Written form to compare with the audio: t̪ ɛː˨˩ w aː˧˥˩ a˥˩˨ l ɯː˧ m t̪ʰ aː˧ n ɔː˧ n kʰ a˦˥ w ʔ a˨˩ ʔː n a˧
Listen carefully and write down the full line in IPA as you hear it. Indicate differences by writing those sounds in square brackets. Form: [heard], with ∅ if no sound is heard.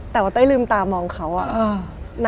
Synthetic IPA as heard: t̪ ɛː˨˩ w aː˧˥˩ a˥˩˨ l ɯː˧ m [t̪] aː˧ [m] ɔː˧ [ŋ] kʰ a˦˥ w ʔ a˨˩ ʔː n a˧